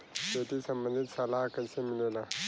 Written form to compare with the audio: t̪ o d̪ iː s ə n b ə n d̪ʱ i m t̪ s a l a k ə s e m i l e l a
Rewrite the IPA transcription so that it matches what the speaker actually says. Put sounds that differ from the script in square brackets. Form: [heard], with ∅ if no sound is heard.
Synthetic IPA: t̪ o [t̪] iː s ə [m] b ə n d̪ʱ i [∅] t̪ s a l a k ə s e m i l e l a